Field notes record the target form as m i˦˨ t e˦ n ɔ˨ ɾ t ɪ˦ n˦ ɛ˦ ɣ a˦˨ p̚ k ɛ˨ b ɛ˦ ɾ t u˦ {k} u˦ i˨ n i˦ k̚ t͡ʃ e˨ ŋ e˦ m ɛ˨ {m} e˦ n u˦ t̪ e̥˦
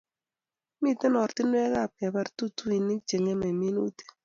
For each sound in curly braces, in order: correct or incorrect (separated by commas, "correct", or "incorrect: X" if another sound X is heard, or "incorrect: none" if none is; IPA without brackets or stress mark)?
incorrect: t, correct